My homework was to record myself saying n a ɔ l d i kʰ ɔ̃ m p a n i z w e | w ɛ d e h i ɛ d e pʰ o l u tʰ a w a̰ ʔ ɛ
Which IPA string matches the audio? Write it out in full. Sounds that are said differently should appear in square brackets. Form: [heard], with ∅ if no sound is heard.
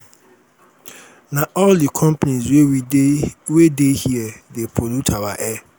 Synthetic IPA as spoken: n a ɔ l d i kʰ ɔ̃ m p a n i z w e | w [e] d e h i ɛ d e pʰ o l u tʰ a w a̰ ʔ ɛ